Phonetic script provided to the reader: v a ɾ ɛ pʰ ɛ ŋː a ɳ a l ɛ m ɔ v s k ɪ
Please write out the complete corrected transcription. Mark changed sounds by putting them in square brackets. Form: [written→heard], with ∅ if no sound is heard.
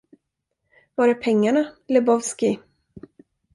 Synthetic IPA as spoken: v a ɾ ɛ pʰ ɛ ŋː a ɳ a l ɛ [m→b] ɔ v s k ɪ